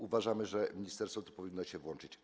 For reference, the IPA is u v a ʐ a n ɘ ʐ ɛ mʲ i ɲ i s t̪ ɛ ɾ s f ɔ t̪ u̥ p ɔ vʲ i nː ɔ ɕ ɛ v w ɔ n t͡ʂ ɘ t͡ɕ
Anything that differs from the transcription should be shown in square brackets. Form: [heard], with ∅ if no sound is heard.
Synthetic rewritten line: u v a ʐ a [m] ɘ ʐ ɛ mʲ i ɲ i s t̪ ɛ ɾ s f ɔ t̪ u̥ p ɔ vʲ i nː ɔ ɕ ɛ v w ɔ n t͡ʂ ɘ t͡ɕ